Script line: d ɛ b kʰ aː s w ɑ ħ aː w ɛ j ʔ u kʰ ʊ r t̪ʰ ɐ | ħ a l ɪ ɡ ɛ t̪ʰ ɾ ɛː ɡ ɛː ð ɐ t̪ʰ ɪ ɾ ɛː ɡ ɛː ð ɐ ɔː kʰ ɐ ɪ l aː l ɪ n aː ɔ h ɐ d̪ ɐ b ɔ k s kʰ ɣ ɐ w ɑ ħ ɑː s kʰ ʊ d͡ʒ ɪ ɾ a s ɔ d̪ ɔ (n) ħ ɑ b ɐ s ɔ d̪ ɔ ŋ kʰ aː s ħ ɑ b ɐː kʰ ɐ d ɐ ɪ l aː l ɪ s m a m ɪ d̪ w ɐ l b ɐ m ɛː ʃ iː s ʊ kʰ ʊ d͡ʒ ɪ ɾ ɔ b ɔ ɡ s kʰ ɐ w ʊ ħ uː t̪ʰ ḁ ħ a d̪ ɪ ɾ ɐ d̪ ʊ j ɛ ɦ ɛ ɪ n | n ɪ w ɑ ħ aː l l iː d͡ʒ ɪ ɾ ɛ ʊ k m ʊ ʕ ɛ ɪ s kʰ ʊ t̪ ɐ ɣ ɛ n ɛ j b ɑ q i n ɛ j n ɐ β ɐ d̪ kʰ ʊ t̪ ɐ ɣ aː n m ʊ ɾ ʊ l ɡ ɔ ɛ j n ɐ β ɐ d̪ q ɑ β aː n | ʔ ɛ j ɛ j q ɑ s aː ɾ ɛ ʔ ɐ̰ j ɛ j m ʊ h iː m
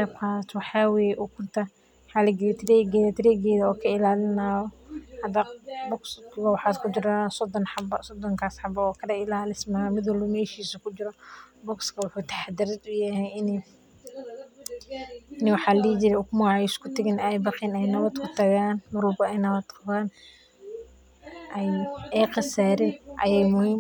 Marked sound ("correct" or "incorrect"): correct